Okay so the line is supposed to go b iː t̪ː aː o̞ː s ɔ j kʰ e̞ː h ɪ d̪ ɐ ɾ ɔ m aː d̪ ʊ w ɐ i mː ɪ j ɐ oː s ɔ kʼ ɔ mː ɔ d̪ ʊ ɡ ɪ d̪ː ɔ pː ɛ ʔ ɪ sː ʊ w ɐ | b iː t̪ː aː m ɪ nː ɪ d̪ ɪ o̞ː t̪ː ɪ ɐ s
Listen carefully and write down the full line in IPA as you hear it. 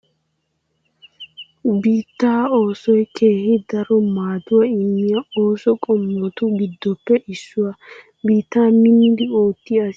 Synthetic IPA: b iː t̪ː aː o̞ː s ɔ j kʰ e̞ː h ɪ d̪ ɐ ɾ ɔ m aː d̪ ʊ w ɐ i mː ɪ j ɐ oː s ɔ kʼ ɔ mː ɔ t̪ ʊ ɡ ɪ d̪ː ɔ pː ɛ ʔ ɪ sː ʊ w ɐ | b iː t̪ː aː m ɪ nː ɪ d̪ ɪ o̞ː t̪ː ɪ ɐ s

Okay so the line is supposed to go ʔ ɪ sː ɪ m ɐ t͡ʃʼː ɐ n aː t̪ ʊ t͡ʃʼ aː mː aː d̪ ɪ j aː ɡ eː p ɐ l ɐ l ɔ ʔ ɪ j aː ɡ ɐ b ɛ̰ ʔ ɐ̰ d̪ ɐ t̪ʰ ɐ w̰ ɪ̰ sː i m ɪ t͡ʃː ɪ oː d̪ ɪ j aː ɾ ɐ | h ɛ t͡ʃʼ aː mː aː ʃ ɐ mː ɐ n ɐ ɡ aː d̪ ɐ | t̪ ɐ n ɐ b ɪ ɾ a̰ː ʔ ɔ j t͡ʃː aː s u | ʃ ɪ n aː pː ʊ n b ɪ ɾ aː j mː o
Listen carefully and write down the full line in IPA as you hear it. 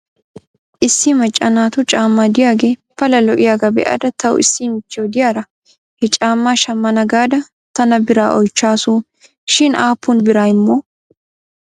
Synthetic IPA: ʔ ɪ sː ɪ m ɐ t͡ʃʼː ɐ n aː t̪ ʊ t͡ʃʼ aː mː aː d̪ ɪ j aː ɡ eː p ɐ l ɐ l ɔ ʔ ɪ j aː ɡ ɐ b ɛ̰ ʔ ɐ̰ d̪ ɐ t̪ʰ ɐ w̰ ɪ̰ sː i m ɪ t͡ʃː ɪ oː d̪ ɪ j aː ɾ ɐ | h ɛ t͡ʃʼ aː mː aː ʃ ɐ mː ɐ n ɐ ɡ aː d̪ ɐ | t̪ ɐ n ɐ b ɪ ɾ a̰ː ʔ ɔ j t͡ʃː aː s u | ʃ ɪ n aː pː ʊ n b ɪ ɾ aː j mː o

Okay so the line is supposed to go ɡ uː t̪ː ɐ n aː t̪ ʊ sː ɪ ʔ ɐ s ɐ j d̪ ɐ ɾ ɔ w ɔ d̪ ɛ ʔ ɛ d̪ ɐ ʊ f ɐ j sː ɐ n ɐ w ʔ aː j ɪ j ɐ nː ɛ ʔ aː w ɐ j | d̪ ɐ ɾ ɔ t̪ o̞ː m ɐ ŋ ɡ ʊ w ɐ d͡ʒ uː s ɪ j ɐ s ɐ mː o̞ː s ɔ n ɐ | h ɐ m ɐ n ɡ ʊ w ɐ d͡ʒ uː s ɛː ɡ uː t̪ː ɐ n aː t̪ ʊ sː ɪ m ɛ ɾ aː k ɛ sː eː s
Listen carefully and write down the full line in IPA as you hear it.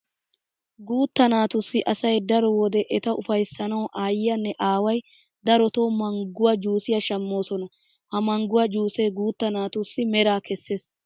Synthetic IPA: ɡ uː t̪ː ɐ n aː t̪ ʊ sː ɪ ʔ ɐ s ɐ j d̪ ɐ ɾ ɔ w ɔ d̪ ɛ ʔ ɛ t̪ ɐ ʊ f ɐ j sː ɐ n ɐ w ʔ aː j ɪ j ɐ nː ɛ ʔ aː w ɐ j | d̪ ɐ ɾ ɔ t̪ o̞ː m ɐ ŋ ɡ ʊ w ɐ d͡ʒ uː s ɪ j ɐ ʃ ɐ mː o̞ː s ɔ n ɐ | h ɐ m ɐ ŋ ɡ ʊ w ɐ d͡ʒ uː s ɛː ɡ uː t̪ː ɐ n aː t̪ ʊ sː ɪ m ɛ ɾ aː k ɛ sː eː s

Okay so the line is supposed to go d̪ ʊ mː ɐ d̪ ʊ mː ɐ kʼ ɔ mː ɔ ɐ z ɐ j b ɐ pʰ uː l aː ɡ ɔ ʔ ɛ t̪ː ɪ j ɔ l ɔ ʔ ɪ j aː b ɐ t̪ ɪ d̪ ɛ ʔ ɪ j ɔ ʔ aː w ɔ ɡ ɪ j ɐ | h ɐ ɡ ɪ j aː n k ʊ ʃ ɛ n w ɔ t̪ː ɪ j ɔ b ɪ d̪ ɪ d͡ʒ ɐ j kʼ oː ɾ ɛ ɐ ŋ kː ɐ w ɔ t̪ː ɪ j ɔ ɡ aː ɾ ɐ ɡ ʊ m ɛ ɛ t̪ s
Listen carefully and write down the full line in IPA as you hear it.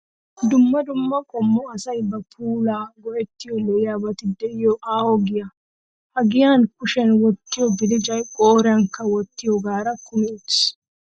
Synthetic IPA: d̪ ʊ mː ɐ d̪ ʊ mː ɐ kʼ ɔ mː ɔ ɐ s ɐ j b ɐ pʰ uː l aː ɡ ɔ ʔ ɛ t̪ː ɪ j ɔ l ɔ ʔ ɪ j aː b ɐ t̪ ɪ d̪ ɛ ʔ ɪ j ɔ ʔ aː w ɔ ɡ ɪ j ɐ | h ɐ ɡ ɪ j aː n k ʊ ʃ ɛ n w ɔ t̪ː ɪ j ɔ b ɪ d̪ ɪ d͡ʒ ɐ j kʼ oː ɾ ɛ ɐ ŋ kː ɐ w ɔ t̪ː ɪ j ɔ ɡ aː ɾ ɐ k ʊ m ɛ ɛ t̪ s

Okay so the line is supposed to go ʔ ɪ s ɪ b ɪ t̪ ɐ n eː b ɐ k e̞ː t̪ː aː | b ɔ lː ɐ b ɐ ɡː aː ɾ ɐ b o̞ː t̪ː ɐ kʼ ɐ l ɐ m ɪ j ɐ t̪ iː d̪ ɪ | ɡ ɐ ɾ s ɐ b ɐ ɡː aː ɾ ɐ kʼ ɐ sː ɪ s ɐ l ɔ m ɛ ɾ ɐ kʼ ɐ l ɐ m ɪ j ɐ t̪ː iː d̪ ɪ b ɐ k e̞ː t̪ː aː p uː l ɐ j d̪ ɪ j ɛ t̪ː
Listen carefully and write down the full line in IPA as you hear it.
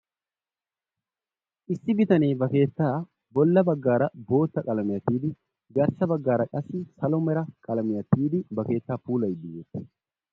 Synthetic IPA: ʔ ɪ sː ɪ b ɪ t̪ ɐ n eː b ɐ k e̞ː t̪ː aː | b ɔ lː ɐ b ɐ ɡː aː ɾ ɐ b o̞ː t̪ː ɐ kʼ ɐ l ɐ m ɪ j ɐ t̪ iː d̪ ɪ | ɡ ɐ ɾ s ɐ b ɐ ɡː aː ɾ ɐ kʼ ɐ sː ɪ s ɐ l ɔ m ɛ ɾ ɐ kʼ ɐ l ɐ m ɪ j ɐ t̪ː iː d̪ ɪ b ɐ k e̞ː t̪ː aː p uː l ɐ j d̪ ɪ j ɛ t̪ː

